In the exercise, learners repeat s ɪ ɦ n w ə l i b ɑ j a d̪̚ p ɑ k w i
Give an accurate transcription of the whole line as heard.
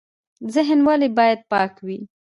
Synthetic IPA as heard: z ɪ ɦ n w a l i b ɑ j a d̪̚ p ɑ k w i